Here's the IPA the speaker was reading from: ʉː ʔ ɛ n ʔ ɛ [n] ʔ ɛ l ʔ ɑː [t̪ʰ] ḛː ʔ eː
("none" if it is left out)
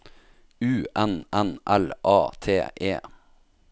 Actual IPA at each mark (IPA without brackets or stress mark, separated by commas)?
n, t̪ʰ